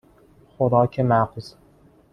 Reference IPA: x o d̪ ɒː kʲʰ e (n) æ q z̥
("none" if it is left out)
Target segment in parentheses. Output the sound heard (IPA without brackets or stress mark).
m